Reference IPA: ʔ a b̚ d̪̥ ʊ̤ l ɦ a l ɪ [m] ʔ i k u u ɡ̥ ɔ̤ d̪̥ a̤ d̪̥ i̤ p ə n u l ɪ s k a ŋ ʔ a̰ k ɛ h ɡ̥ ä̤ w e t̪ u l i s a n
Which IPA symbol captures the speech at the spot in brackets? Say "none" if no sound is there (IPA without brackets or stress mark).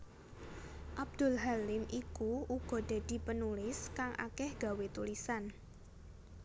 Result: m